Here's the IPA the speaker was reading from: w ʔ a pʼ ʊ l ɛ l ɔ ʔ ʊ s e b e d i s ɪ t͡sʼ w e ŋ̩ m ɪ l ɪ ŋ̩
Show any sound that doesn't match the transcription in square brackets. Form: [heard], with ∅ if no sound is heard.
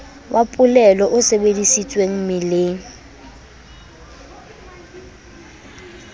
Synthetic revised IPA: w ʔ a pʼ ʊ l ɛ l ɔ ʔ ʊ s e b e d i s [i] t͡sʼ w e ŋ̩ m ɪ l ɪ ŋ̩